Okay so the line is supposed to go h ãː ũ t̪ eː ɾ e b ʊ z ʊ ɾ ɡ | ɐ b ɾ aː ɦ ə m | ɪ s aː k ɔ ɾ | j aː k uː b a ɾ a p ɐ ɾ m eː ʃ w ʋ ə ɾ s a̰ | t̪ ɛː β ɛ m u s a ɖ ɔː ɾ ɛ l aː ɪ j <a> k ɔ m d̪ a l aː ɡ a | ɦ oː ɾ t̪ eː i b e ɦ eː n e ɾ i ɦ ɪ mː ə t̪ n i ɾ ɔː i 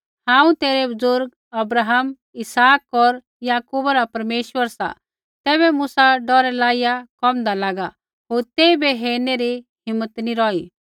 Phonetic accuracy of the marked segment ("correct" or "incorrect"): correct